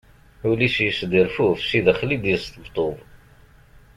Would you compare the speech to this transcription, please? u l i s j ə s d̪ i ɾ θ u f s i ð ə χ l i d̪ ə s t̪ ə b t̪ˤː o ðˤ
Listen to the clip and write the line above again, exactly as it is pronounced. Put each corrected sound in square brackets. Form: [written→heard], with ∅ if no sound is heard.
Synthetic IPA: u l i s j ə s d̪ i ɾ [θ→f] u f s i ð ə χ l i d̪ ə s t̪ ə b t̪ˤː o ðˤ